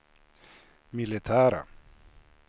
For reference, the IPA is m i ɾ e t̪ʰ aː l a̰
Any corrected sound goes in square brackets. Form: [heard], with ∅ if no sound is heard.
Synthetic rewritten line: m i [l] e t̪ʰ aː [ɾ] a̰